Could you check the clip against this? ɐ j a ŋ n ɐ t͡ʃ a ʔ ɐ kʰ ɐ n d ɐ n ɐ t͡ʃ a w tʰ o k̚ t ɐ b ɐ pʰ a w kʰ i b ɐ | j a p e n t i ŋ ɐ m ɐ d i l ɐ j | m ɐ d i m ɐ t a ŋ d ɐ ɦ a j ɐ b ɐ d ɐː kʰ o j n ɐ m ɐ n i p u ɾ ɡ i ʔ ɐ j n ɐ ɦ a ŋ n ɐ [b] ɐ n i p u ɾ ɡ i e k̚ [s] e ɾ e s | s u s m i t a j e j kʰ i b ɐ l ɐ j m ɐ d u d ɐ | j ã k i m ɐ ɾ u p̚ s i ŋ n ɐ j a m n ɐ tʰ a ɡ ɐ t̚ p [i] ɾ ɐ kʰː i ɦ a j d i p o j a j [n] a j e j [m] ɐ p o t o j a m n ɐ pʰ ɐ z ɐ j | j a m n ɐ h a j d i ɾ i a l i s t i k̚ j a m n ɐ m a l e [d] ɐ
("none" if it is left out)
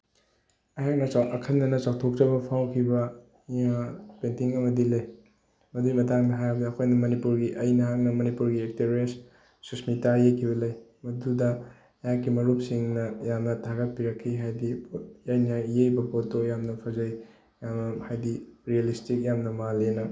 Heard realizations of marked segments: m, t, i, n, b, n

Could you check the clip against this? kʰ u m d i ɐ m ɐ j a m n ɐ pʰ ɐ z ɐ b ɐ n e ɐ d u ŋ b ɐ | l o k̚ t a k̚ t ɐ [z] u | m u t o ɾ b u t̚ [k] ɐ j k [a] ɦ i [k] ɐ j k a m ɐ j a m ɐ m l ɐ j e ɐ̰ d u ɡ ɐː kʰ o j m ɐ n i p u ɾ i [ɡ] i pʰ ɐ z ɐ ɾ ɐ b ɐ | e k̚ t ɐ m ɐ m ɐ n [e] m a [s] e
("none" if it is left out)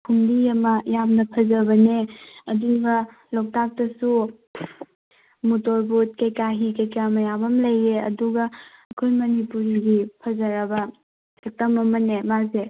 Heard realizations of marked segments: s, k, a, k, ɡ, e, z

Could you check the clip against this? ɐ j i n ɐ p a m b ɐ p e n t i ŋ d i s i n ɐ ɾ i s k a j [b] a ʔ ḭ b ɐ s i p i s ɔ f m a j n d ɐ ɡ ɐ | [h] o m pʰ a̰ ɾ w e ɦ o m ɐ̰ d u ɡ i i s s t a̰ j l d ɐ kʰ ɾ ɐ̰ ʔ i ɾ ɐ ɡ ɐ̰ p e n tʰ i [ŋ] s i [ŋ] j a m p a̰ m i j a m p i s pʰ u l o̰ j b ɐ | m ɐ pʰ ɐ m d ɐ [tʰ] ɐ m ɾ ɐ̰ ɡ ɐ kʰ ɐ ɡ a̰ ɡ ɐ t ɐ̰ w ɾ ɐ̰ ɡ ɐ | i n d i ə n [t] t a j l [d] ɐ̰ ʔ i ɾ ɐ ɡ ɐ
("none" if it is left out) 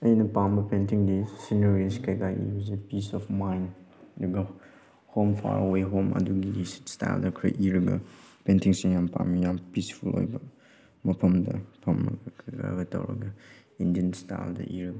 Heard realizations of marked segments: ɡ, h, ŋ, ŋ, pʰ, s, d

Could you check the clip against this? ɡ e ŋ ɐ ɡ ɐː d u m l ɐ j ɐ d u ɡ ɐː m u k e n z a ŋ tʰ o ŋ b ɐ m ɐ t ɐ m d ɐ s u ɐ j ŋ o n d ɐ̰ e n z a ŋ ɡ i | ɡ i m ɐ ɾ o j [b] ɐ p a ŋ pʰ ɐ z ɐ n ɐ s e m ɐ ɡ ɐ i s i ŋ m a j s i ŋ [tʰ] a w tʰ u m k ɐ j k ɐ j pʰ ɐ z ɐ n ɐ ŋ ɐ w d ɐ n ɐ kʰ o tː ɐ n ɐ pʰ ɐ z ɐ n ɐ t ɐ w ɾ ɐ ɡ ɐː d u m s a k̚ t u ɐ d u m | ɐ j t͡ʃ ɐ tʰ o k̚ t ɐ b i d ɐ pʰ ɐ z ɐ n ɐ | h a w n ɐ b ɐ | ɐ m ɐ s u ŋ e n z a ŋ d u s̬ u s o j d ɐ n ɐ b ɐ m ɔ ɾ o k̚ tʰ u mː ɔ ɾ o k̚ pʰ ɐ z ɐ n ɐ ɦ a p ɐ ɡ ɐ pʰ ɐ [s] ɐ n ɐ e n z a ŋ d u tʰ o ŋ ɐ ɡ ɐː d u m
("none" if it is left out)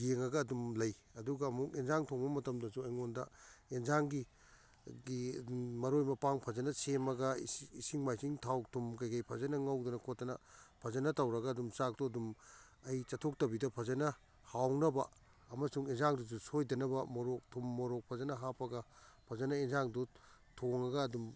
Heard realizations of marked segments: m, tʰ, z

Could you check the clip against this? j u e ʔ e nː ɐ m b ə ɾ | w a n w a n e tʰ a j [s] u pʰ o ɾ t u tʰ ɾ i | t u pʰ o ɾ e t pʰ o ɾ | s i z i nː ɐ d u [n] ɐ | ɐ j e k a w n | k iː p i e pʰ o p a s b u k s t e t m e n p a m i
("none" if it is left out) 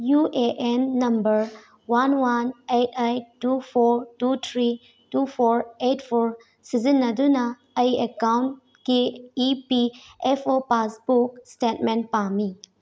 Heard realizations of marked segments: t, n

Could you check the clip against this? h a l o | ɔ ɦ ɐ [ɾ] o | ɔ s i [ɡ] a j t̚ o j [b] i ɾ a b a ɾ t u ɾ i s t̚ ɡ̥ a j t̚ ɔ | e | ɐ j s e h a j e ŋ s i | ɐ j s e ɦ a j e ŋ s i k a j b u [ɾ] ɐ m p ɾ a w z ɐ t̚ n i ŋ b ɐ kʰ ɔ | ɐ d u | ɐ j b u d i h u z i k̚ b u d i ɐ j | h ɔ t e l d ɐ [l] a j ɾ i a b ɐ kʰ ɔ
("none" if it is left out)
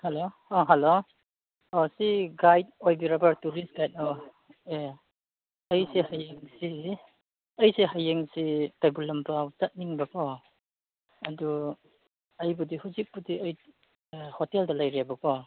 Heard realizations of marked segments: l, ɡ, b, l, l

